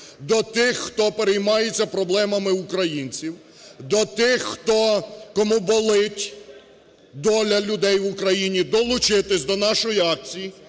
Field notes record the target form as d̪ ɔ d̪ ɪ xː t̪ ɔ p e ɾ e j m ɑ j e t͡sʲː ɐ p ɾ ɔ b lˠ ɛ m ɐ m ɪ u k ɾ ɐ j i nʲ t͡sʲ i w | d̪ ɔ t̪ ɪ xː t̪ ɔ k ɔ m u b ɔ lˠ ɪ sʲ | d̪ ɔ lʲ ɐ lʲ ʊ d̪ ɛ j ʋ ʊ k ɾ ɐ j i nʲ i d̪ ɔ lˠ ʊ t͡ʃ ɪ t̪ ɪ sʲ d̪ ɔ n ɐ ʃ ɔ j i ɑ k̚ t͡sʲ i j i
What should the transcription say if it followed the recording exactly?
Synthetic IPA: d̪ ɔ t̪ ɪ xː t̪ ɔ p e ɾ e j m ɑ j e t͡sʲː ɐ p ɾ ɔ b lˠ ɛ m ɐ m ɪ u k ɾ ɐ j i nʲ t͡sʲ i w | d̪ ɔ t̪ ɪ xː t̪ ɔ k ɔ m u b ɔ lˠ ɪ tʲ | d̪ ɔ lʲ ɐ lʲ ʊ d̪ ɛ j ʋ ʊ k ɾ ɐ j i nʲ i d̪ ɔ lˠ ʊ t͡ʃ ɪ t̪ ɪ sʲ d̪ ɔ n ɑ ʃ ɔ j i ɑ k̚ t͡sʲ i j i